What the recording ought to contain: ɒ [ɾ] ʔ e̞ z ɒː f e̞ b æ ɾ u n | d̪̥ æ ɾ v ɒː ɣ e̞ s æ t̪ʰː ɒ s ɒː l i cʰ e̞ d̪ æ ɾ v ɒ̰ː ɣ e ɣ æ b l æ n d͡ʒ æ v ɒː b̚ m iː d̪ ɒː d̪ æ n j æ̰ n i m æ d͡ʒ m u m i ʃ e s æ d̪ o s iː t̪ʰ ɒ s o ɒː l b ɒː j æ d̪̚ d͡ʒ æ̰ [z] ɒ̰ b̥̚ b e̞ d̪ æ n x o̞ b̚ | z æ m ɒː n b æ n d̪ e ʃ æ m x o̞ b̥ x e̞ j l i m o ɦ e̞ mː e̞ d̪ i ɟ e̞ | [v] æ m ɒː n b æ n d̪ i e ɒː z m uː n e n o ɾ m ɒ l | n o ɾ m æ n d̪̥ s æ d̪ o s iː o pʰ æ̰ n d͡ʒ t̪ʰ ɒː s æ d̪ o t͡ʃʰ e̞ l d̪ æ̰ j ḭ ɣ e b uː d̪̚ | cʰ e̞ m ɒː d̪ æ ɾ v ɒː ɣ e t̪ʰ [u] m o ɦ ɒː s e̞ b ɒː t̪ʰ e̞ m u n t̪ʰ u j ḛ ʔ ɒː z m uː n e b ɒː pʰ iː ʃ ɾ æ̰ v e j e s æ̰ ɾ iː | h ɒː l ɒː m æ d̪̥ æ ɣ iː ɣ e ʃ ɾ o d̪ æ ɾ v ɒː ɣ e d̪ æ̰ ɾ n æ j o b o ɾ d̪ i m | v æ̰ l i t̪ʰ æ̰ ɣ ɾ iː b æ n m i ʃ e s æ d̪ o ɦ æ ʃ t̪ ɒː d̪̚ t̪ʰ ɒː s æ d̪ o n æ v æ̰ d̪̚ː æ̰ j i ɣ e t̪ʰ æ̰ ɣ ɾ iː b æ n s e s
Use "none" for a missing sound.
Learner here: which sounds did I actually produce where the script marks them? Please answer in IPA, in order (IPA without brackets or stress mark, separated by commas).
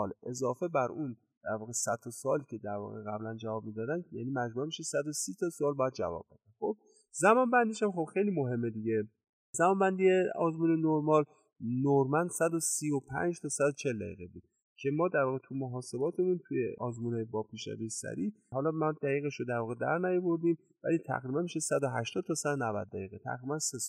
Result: l, v, z, u